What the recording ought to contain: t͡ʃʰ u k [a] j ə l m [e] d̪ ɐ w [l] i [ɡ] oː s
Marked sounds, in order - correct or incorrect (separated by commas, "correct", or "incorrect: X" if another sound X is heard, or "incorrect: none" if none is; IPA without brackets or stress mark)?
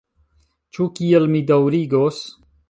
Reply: incorrect: i, incorrect: i, incorrect: ɾ, correct